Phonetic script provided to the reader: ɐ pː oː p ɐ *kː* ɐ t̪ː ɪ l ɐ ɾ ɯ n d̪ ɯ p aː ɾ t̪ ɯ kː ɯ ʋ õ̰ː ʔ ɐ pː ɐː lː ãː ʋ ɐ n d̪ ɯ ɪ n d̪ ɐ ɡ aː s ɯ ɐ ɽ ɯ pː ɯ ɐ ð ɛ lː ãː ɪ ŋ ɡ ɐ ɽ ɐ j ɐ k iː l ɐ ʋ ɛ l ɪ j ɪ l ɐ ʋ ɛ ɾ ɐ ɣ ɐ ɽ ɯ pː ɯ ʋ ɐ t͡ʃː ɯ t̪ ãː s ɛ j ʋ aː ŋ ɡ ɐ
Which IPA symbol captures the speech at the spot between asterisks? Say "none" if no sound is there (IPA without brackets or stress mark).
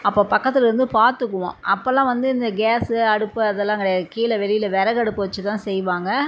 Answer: kː